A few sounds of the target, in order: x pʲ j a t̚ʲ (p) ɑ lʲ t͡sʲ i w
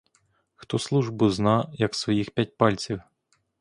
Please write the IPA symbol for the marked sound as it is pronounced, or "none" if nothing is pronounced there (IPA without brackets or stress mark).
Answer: p